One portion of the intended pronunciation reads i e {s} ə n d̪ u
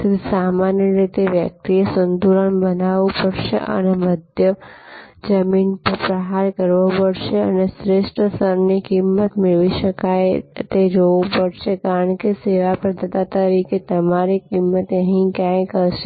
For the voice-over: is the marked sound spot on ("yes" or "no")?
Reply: yes